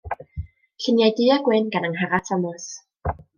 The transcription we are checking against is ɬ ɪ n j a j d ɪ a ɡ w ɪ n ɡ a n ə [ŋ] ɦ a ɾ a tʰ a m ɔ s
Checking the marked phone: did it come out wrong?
no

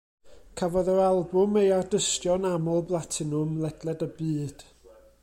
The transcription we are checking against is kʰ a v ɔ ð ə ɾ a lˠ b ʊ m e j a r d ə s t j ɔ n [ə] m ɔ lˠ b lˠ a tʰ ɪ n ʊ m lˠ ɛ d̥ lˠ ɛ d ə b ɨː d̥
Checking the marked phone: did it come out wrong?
yes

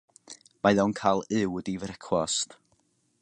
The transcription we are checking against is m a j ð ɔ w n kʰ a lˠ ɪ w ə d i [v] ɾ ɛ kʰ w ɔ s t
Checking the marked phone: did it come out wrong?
no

